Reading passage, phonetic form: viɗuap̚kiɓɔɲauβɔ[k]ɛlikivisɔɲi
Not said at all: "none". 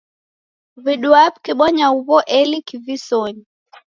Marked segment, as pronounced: ʔ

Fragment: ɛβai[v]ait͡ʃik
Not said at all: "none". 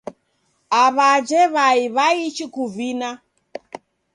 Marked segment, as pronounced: β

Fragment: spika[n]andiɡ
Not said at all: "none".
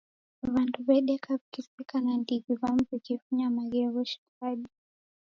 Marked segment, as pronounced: n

